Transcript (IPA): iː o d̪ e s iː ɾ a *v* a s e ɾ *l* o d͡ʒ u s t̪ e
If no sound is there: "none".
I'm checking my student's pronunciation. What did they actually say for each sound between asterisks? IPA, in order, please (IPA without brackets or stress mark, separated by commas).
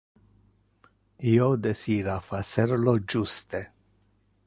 f, l